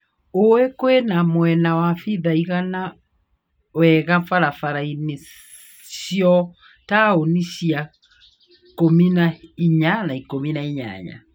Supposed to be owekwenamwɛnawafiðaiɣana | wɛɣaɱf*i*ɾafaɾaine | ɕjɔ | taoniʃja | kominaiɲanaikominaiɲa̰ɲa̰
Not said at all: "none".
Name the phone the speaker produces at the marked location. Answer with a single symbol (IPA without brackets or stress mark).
a